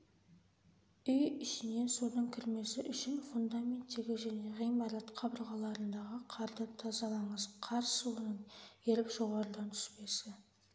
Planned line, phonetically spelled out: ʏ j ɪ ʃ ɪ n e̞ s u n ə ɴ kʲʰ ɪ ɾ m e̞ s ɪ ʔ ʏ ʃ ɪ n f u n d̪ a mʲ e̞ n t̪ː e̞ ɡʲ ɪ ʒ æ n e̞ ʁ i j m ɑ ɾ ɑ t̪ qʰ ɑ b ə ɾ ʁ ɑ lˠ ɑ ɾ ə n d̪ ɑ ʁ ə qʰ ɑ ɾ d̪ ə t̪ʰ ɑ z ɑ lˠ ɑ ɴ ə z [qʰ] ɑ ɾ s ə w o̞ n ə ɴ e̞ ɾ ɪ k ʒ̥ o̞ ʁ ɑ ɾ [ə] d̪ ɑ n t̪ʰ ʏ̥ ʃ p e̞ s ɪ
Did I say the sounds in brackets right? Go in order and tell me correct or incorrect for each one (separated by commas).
correct, correct